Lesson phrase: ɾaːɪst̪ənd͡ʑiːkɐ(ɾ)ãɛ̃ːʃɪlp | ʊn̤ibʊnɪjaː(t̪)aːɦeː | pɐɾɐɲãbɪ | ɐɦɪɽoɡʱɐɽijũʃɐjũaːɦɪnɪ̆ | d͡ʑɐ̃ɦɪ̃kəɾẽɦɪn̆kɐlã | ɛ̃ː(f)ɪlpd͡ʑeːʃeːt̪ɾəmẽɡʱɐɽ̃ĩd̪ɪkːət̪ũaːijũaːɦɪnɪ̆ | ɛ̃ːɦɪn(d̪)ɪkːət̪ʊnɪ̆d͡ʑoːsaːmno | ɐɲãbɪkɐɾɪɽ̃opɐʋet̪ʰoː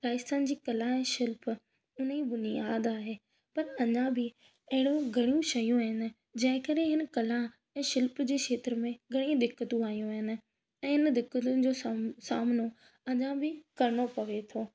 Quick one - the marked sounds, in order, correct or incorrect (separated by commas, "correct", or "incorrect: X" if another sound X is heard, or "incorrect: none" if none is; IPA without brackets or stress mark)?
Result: incorrect: l, incorrect: d̪, incorrect: ʃ, correct